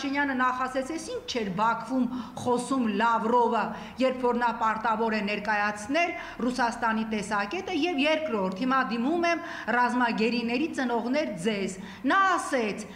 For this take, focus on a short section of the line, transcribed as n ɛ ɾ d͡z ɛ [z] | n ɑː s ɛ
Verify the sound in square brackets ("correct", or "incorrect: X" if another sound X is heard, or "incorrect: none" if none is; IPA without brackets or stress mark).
correct